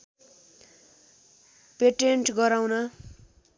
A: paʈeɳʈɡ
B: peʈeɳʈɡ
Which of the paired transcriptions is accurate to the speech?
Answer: B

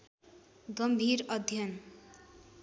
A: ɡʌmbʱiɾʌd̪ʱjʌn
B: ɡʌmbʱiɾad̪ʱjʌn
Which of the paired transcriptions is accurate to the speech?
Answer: A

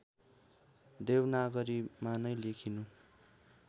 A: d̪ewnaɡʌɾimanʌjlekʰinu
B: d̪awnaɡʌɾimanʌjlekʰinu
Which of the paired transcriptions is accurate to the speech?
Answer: A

